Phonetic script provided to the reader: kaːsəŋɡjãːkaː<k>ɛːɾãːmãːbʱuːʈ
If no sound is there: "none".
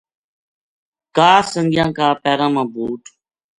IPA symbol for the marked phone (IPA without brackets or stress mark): p